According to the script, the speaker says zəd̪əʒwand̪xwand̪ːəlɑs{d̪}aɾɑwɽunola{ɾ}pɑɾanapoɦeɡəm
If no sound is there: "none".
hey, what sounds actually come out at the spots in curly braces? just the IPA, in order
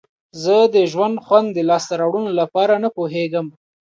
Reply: t̪, none

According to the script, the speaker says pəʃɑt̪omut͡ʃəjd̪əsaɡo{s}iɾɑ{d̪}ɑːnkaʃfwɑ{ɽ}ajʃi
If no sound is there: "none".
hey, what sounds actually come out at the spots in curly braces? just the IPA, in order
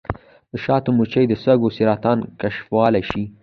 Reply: s, t̪, l

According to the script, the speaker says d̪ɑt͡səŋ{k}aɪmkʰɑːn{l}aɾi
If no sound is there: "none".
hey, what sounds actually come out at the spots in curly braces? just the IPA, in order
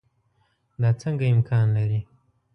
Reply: ɡ, l

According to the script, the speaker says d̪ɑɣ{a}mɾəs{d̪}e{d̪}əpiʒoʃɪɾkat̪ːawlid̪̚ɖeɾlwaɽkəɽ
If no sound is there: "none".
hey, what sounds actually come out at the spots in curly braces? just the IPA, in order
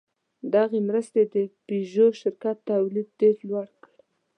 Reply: e, t̪, d̪

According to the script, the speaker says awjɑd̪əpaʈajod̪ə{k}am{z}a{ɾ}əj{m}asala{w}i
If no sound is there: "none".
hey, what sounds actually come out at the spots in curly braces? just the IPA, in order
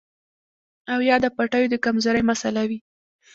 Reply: k, z, ɾ, m, w

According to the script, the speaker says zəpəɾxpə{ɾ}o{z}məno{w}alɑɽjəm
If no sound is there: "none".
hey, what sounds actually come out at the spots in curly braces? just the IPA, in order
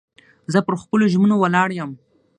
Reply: l, ʒ, w

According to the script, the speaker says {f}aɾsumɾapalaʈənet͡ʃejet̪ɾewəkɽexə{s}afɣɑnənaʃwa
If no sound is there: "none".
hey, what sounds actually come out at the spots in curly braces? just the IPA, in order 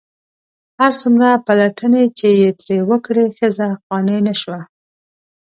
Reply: h, z

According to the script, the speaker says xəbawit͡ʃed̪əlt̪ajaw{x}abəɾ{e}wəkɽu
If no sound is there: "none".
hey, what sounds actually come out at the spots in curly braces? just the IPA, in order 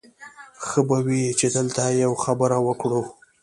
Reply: x, a

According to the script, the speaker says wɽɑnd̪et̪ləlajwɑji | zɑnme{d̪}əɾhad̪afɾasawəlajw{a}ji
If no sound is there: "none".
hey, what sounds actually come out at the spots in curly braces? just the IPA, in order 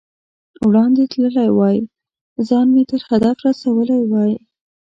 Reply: t̪, ɑ

